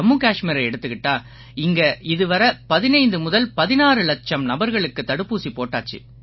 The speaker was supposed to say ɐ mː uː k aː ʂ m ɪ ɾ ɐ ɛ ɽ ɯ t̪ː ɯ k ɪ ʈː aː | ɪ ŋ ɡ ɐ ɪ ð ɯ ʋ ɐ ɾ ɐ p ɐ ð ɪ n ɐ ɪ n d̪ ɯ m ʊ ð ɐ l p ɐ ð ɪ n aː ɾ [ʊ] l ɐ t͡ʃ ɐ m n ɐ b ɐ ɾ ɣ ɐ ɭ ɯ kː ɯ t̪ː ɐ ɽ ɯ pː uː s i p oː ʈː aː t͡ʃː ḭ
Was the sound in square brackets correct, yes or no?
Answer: no